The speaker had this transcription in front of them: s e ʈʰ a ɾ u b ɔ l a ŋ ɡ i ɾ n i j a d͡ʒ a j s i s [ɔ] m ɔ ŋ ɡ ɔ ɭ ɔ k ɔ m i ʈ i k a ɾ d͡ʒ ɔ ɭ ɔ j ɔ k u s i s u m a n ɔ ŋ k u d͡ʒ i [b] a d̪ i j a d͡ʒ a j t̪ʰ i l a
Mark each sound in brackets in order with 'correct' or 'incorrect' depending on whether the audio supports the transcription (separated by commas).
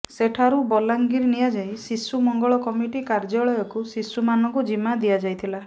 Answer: incorrect, incorrect